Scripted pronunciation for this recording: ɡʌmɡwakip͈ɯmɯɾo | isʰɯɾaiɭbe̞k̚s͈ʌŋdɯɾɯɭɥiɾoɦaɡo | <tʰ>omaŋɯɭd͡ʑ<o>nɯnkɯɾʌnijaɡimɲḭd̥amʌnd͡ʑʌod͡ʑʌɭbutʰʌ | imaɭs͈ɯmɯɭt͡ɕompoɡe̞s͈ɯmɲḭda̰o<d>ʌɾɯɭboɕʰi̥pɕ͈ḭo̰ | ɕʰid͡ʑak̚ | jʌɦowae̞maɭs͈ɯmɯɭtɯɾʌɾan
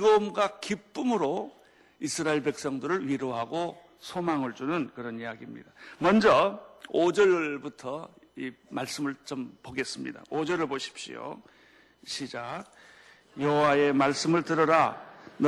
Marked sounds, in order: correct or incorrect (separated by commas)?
incorrect, incorrect, incorrect